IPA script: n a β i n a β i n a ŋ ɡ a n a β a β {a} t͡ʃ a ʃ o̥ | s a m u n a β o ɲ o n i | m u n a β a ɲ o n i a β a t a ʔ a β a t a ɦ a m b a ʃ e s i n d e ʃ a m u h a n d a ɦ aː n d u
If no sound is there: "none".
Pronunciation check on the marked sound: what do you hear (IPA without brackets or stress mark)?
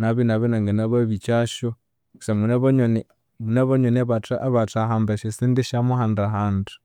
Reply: i